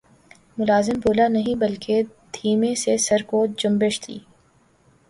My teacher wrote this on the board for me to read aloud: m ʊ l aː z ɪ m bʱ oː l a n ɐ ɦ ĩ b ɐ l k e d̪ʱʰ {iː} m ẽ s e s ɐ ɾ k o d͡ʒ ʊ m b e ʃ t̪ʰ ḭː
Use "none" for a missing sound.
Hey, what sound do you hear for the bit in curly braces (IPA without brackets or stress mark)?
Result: iː